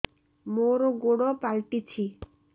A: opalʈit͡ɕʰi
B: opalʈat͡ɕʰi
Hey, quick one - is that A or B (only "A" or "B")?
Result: A